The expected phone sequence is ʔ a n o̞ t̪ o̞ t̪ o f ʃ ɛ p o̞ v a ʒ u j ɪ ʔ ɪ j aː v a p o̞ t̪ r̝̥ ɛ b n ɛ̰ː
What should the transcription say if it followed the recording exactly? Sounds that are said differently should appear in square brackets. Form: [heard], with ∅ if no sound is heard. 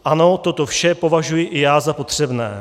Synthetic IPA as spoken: ʔ a n o̞ t̪ o̞ t̪ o f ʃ ɛ p o̞ v a ʒ u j ɪ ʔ ɪ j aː [z] a p o̞ t̪ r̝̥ ɛ b n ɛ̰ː

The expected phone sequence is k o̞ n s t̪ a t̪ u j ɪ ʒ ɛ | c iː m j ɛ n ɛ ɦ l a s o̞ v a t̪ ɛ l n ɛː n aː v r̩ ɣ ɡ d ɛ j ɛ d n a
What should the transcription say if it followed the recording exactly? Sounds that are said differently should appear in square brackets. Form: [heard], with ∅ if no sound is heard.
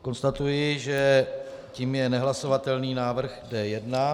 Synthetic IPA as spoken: k o̞ n s t̪ a t̪ u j ɪ ʒ ɛ | c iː m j ɛ n ɛ ɦ l a s o̞ v a t̪ ɛ l n [iː] n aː v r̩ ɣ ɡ d ɛ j ɛ d n a

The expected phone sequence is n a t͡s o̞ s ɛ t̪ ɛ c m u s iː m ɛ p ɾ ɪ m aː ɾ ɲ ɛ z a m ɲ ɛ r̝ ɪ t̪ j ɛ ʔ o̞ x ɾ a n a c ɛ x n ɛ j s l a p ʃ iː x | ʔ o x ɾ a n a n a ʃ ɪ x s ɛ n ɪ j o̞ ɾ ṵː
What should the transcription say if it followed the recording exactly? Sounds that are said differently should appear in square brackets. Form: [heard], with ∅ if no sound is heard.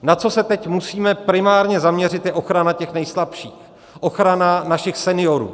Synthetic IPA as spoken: n a t͡s o̞ s ɛ t̪ ɛ c m u s iː m ɛ p ɾ ɪ m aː ɾ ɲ ɛ z a m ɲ ɛ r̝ ɪ t̪ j ɛ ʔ o̞ x ɾ a n a c ɛ x n ɛ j s l a p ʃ iː x | ʔ o x ɾ a n a n a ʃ ɪ x s ɛ n ɪ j o̞ ɾ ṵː

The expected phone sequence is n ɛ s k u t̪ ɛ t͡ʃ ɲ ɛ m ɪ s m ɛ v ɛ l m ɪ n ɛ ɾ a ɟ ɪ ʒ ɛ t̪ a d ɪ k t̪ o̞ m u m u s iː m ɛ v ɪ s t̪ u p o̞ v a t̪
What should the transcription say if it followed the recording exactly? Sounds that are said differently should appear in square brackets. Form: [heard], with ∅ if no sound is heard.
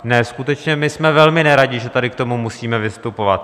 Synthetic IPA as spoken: n ɛ s k u t̪ ɛ t͡ʃ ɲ ɛ m ɪ s m ɛ v ɛ l m ɪ n ɛ ɾ a ɟ ɪ ʒ ɛ t̪ a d ɪ k t̪ o̞ m u m u s iː m ɛ v ɪ s t̪ u p o̞ v a t̪

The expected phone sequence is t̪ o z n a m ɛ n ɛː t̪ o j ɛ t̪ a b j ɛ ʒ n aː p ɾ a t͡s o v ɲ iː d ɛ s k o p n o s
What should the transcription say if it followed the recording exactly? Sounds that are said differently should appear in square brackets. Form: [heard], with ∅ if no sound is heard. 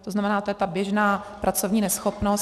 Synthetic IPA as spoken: t̪ o z n a m ɛ n [aː] t̪ o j ɛ t̪ a b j ɛ ʒ n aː p ɾ a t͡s o v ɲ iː [n] ɛ s [x] o p n o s

